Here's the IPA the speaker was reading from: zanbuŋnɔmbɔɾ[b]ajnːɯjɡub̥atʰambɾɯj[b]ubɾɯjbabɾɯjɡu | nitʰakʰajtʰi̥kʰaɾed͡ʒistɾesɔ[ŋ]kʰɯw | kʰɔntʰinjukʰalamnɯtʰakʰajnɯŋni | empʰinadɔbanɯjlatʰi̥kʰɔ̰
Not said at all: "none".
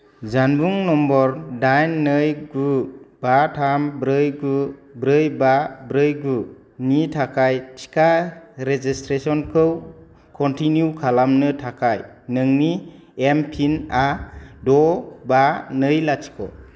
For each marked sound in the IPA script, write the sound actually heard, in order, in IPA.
d, ɡ, n

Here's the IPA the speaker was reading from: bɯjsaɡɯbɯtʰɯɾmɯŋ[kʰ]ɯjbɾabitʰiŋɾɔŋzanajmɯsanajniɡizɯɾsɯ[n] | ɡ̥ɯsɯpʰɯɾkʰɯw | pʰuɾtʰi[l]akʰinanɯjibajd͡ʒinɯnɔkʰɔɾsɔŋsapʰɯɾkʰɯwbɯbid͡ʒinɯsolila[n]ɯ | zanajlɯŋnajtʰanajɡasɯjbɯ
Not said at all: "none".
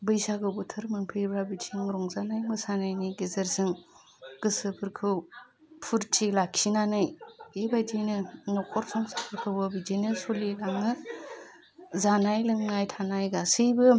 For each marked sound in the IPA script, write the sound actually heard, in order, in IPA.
pʰ, ŋ, l, ŋ

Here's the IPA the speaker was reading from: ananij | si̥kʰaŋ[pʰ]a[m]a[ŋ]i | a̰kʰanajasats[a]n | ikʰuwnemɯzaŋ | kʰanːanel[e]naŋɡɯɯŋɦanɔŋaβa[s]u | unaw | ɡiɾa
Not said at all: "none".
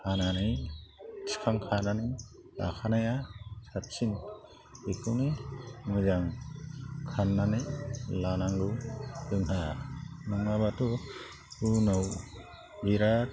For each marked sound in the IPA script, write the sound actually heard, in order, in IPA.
kʰ, n, n, i, a, t

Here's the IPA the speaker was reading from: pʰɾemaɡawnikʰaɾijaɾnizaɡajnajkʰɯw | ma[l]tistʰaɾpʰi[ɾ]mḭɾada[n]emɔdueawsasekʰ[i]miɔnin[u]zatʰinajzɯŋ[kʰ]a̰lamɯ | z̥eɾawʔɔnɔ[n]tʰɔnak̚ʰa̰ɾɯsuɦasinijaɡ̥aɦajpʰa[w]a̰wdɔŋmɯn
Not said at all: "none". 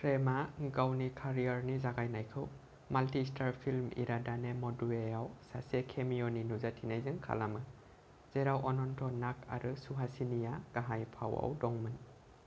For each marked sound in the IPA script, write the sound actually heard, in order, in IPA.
l, l, n, e, u, kʰ, n, w

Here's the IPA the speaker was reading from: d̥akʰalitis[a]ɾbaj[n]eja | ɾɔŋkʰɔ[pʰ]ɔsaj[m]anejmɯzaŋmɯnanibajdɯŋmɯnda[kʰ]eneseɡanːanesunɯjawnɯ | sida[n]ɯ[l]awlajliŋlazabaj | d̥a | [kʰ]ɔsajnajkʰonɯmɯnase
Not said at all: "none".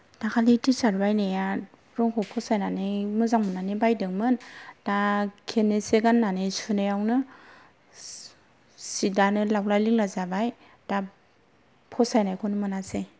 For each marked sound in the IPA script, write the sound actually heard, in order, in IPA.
a, n, pʰ, n, kʰ, n, l, pʰ

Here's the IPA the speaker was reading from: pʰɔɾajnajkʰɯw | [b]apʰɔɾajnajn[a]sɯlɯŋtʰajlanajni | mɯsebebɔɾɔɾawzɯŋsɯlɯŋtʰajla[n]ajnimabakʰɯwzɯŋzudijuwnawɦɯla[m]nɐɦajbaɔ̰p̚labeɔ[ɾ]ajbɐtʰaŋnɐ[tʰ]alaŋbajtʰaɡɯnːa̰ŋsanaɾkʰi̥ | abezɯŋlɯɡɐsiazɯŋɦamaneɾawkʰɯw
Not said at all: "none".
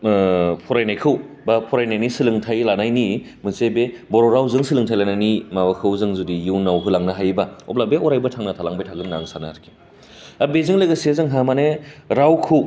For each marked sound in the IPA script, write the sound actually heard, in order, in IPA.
b, i, n, ŋ, ɾ, tʰ

